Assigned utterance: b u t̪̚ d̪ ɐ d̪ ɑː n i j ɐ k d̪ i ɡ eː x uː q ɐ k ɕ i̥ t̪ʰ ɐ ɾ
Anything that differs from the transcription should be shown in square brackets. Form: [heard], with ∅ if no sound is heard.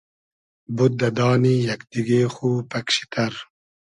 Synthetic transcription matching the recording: b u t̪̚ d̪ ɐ d̪ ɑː n i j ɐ k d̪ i ɡ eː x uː [p] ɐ k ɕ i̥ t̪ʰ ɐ ɾ